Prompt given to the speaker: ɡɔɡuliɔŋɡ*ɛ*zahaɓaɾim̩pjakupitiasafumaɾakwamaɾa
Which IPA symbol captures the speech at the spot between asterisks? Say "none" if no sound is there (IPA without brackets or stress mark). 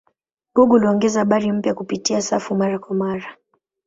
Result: ɛ